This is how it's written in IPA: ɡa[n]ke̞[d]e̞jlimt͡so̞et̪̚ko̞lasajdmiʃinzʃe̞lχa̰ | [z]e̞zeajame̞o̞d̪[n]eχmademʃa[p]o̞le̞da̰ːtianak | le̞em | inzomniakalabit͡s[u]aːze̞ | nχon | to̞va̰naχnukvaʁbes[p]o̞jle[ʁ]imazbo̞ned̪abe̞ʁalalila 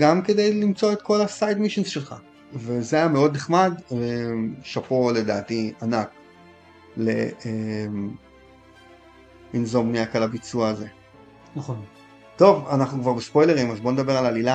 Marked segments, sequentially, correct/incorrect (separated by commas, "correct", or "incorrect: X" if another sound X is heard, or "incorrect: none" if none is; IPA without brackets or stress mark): incorrect: m, correct, incorrect: v, correct, correct, correct, correct, correct